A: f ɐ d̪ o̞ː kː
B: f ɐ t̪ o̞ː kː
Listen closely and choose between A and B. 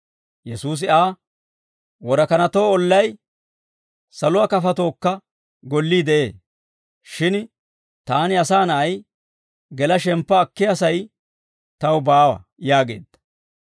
B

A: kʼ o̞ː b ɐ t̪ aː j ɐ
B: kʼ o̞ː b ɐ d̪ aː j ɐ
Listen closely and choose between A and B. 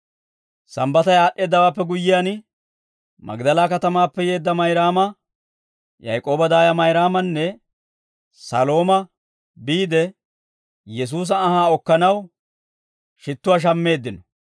B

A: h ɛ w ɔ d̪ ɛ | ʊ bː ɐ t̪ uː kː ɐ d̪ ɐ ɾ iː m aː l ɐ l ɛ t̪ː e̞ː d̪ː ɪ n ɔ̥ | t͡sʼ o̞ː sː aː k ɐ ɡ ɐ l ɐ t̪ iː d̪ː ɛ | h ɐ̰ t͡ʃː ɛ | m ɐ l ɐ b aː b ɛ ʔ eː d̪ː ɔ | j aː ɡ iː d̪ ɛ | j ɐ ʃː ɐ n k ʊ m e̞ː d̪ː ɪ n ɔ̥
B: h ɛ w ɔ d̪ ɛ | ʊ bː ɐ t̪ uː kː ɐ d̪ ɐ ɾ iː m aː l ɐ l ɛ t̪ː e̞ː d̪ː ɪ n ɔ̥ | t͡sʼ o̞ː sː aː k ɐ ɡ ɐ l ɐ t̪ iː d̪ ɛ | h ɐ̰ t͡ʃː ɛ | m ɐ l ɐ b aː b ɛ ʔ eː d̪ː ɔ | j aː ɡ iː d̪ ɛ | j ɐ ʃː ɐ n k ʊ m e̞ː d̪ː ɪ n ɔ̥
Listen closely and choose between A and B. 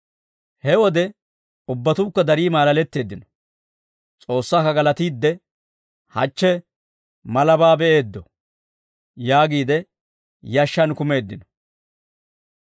A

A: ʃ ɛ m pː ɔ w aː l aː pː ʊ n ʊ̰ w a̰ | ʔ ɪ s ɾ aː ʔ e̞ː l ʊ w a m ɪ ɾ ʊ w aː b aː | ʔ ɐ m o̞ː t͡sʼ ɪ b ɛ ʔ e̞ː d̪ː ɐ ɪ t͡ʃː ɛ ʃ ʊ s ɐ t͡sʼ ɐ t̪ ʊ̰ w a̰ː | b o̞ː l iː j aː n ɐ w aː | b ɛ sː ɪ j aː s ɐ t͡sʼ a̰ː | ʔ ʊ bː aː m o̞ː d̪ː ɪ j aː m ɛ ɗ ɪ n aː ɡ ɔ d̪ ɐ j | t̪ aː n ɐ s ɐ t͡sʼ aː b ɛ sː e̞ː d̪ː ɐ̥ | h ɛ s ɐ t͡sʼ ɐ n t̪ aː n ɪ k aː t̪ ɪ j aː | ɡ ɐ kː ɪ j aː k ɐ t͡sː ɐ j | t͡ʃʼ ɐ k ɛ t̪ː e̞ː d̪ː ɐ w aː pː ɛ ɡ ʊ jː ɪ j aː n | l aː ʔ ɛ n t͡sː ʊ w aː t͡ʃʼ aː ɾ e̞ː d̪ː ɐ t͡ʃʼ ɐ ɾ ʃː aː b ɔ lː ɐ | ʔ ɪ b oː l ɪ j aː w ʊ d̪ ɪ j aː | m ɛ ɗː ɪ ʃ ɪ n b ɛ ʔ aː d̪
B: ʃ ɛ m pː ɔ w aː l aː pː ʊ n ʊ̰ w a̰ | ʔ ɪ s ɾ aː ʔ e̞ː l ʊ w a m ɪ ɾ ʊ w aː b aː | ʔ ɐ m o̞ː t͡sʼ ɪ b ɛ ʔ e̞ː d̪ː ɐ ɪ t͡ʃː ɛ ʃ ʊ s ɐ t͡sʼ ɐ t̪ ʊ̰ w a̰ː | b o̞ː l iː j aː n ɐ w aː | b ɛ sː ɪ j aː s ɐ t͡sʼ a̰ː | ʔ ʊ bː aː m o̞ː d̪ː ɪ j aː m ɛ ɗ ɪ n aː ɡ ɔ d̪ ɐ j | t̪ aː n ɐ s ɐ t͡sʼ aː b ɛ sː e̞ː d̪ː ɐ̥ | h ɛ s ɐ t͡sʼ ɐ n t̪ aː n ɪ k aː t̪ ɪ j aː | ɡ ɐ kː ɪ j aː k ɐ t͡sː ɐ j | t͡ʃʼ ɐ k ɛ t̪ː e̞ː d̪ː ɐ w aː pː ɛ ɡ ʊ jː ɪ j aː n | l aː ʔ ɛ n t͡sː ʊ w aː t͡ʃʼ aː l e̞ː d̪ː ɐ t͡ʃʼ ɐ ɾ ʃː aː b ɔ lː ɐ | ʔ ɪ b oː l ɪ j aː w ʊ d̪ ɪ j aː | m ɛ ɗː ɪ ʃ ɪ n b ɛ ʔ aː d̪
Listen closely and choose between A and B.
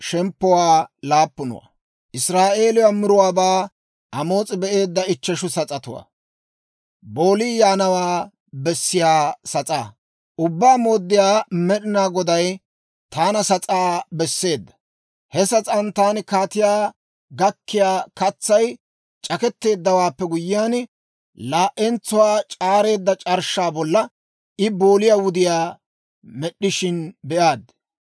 A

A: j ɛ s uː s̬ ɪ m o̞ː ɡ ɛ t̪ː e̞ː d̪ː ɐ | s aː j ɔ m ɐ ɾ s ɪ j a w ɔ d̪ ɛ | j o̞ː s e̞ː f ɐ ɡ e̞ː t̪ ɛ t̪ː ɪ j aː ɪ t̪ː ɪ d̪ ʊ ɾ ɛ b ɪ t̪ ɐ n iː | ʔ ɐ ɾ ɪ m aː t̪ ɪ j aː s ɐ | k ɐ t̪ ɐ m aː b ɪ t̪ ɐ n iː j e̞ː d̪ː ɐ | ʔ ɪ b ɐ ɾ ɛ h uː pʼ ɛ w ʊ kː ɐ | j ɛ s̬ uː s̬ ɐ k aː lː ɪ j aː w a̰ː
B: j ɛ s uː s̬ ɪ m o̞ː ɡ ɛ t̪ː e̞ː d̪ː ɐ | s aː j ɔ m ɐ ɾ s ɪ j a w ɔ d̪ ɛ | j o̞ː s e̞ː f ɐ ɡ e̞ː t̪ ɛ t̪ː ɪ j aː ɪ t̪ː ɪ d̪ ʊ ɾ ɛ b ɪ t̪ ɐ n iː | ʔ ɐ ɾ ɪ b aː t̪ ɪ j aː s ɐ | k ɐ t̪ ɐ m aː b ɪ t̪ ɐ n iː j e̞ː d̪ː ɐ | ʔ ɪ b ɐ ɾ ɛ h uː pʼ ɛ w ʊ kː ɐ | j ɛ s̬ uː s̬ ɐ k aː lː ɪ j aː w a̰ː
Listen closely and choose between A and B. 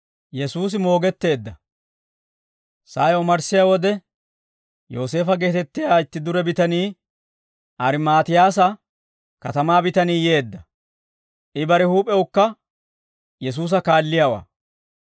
A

